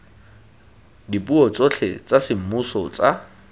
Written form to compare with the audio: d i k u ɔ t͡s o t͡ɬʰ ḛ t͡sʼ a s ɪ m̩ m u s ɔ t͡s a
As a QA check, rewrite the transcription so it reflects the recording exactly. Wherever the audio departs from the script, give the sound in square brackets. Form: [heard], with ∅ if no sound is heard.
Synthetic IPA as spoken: d i [p] u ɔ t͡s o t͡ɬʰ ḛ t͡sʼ a s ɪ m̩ m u s ɔ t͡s a